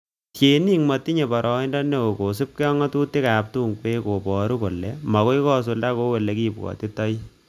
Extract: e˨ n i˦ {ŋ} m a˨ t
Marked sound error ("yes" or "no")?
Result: no